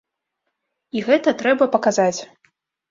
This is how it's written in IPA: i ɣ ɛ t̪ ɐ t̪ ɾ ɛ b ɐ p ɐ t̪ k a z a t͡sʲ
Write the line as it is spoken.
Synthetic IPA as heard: i ɣ ɛ t̪ ɐ t̪ ɾ ɛ b ɐ p ɐ k a z a t͡sʲ